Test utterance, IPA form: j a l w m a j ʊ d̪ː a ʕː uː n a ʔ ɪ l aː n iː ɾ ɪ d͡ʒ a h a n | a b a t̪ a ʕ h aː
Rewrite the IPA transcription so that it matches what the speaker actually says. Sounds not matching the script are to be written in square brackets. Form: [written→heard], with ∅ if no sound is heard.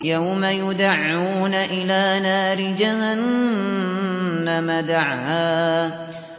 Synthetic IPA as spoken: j a [l→∅] w m a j ʊ [d̪ː→d̪] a ʕː uː n a ʔ ɪ l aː n [iː→aː] ɾ ɪ d͡ʒ a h a n | a [b→m] a [t̪→d̪] a ʕ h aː